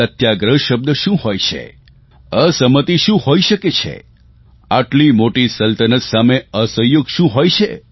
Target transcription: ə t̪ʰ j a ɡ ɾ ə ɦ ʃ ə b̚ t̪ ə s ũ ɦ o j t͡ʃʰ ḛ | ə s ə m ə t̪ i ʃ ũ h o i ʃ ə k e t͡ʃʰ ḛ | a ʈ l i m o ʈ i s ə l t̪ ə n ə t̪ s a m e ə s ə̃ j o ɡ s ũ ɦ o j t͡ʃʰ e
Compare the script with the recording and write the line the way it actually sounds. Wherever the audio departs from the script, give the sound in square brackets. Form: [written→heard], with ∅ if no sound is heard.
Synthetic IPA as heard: ə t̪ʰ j a ɡ ɾ ə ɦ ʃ ə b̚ [t̪→d̪] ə [s→ʃ] ũ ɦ o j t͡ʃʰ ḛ | ə s ə m ə t̪ i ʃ ũ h o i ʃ ə k e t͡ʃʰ ḛ | a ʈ l i m o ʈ i s ə l t̪ ə n ə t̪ s a m e ə s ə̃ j o ɡ [s→ʃ] ũ ɦ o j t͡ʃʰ e